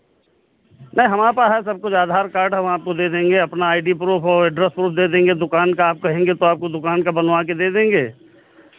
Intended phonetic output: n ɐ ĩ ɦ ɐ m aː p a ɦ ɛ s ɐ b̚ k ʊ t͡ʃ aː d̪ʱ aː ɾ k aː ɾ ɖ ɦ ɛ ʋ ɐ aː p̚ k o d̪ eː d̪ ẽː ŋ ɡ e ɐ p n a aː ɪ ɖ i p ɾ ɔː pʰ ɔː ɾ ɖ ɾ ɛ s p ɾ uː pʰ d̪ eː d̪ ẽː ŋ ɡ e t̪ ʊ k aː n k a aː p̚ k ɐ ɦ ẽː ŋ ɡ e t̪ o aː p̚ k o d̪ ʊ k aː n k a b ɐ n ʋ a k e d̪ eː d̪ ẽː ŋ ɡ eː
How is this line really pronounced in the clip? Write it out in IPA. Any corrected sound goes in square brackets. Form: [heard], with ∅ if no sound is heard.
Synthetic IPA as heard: n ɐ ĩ ɦ ɐ m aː p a ɦ ɛ s ɐ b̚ k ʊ t͡ʃ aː d̪ʱ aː ɾ k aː ɾ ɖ ɦ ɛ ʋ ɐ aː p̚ k o d̪ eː d̪ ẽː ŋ ɡ e ɐ p n a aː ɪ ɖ i p ɾ [uː] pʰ ɔː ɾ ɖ ɾ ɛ s p ɾ uː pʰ d̪ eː d̪ ẽː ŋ ɡ e [d̪] ʊ k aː n k a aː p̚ k ɐ ɦ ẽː ŋ ɡ e t̪ o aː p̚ k o d̪ ʊ k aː n k a b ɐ n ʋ a k e d̪ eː d̪ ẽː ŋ ɡ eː

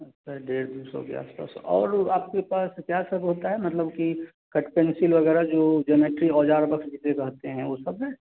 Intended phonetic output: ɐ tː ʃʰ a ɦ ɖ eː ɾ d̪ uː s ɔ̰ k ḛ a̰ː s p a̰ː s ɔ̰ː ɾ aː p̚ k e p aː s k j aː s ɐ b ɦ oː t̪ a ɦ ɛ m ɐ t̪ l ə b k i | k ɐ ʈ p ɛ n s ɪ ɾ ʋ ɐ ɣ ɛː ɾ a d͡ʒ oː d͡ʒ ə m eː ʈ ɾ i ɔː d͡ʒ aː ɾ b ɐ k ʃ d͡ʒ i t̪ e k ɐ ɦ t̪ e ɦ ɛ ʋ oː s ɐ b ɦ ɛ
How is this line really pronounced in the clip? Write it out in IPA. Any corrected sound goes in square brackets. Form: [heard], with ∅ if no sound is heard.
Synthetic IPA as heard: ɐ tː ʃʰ a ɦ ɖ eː ɾ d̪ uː s ɔ̰ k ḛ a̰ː s p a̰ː s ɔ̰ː ɾ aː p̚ k e p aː s k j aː s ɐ b ɦ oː t̪ a ɦ ɛ m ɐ t̪ l ə b k i | k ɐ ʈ p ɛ n s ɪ [l] ʋ ɐ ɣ ɛː ɾ a d͡ʒ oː d͡ʒ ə m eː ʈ ɾ i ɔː d͡ʒ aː ɾ b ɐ k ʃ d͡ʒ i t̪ e k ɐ ɦ t̪ e ɦ [ɛ̃] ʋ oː s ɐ b ɦ ɛ

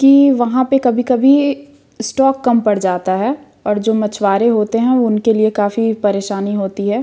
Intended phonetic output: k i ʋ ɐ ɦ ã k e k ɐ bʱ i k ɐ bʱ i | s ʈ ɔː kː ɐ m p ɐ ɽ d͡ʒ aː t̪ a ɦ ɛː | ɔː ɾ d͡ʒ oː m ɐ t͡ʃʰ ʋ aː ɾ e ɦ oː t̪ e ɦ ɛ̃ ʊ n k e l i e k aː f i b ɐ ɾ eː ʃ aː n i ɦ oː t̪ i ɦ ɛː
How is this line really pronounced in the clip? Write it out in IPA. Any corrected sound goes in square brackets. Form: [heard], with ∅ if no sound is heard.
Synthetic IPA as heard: k i ʋ ɐ ɦ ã [p] e k ɐ bʱ i k ɐ bʱ i | s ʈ ɔː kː ɐ m p ɐ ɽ d͡ʒ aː t̪ a ɦ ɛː | ɔː ɾ d͡ʒ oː m ɐ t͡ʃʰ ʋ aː ɾ e ɦ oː t̪ e ɦ ɛ̃ ʊ n k e l i e k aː f i [p] ɐ ɾ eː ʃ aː n i ɦ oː t̪ i ɦ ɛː

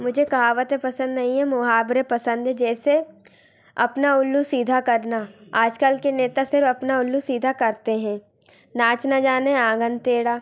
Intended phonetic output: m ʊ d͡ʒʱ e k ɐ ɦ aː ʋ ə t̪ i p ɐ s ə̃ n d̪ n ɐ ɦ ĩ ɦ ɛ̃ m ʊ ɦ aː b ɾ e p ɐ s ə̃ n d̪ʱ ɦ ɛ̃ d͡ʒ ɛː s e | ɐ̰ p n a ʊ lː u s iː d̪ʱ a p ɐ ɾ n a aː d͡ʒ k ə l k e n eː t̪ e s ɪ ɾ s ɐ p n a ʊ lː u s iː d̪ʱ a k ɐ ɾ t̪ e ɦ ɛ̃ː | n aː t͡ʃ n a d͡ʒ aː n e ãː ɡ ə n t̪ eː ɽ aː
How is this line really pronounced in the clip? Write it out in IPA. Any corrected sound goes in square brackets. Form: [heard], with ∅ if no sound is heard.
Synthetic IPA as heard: m ʊ d͡ʒʱ e k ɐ ɦ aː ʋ ə t̪ [e] p ɐ s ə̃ n d̪ n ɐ ɦ ĩ ɦ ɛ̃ m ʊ ɦ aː b ɾ e p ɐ s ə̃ n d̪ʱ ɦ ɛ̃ d͡ʒ ɛː s e | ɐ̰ p n a ʊ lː u s iː d̪ʱ a [k] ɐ ɾ n a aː d͡ʒ k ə l k e n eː t̪ [a] s ɪ ɾ [f] ɐ p n a ʊ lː u s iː d̪ʱ a k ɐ ɾ t̪ e ɦ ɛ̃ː | n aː t͡ʃ n a d͡ʒ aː n e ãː ɡ ə n t̪ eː ɽ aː

